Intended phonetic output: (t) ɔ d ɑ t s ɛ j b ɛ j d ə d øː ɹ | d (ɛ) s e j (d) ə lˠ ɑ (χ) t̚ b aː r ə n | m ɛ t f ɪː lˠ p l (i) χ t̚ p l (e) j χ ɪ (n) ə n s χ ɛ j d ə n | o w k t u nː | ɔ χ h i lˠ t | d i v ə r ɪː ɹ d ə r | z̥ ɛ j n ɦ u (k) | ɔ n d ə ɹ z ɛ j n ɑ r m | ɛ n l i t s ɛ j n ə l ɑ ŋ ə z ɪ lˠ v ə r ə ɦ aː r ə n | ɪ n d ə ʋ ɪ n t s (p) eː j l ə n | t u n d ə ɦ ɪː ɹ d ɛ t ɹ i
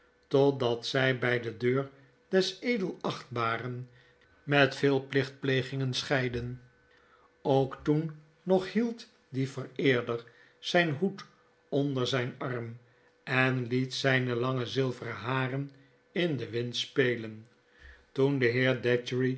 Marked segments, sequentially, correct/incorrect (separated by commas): correct, correct, correct, correct, incorrect, correct, incorrect, incorrect, correct